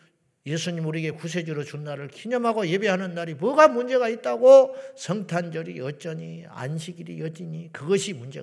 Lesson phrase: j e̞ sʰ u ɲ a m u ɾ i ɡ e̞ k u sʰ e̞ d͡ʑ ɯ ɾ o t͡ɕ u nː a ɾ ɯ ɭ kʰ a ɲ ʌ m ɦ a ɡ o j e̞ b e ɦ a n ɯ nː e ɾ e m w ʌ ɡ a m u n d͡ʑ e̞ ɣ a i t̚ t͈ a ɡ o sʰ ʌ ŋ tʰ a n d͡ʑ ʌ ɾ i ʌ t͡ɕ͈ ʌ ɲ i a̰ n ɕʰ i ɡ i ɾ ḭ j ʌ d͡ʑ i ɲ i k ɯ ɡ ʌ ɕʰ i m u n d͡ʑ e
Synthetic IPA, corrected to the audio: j e̞ sʰ u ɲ i m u ɾ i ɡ e̞ k u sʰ e̞ d͡ʑ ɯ ɾ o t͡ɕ u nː a ɾ ɯ ɭ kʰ i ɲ ʌ m ɦ a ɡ o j e̞ b e ɦ a n ɯ nː a ɾ i m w ʌ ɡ a m u n d͡ʑ e̞ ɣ a i t̚ t͈ a ɡ o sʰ ʌ ŋ tʰ a n d͡ʑ ʌ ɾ i ʌ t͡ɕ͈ ʌ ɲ i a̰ n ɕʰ i ɡ i ɾ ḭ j ʌ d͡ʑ i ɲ i k ɯ ɡ ʌ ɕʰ i m u n d͡ʑ e